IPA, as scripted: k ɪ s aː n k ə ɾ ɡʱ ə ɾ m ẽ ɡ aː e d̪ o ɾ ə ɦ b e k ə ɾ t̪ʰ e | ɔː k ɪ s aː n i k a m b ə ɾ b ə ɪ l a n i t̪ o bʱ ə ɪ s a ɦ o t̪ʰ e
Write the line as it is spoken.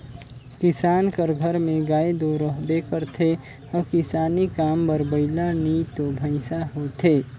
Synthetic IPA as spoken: k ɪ s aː n k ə ɾ ɡʱ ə ɾ m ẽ ɡ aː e d̪ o ɾ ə ɦ b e k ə ɾ t̪ʰ e | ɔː k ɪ s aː n i k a m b ə ɾ b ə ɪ l a n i t̪ o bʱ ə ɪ s a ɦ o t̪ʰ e